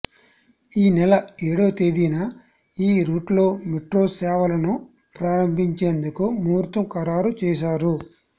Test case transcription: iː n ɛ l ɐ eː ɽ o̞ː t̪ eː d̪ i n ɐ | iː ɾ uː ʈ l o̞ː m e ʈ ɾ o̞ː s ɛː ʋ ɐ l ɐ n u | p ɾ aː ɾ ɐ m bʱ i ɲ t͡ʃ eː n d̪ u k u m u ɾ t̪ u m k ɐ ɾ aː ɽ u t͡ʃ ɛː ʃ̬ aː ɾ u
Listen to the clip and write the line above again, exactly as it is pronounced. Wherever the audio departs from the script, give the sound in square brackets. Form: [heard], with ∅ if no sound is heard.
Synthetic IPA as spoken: iː n ɛ l ɐ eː ɽ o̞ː t̪ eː d̪ i n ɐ | iː ɾ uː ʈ l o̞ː m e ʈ ɾ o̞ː s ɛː ʋ ɐ l ɐ n u | p ɾ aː ɾ ɐ m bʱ i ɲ t͡ʃ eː n d̪ u k u m [uː] ɾ t̪ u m k ɐ ɾ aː [ɾ] u t͡ʃ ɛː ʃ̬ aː ɾ u